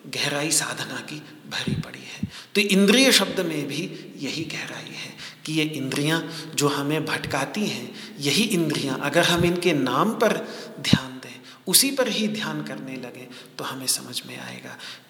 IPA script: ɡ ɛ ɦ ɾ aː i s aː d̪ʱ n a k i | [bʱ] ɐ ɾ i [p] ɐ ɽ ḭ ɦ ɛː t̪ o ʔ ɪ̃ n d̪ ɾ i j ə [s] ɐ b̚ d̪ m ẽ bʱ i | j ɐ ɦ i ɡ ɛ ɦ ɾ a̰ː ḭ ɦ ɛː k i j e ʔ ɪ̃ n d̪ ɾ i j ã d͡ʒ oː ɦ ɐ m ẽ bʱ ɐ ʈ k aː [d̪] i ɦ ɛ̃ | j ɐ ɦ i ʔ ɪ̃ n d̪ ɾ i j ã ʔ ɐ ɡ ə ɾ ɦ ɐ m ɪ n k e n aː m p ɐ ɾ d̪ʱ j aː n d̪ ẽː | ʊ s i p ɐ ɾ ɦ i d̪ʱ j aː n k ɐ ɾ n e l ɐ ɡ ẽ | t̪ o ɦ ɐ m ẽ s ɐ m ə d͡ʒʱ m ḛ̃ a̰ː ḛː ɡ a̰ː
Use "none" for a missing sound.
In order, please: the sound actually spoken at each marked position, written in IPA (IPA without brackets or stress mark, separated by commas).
bʱ, p, ʃ, t̪